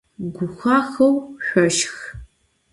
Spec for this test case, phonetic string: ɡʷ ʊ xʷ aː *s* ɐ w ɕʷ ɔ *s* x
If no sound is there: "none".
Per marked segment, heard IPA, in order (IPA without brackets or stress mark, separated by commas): x, ʃ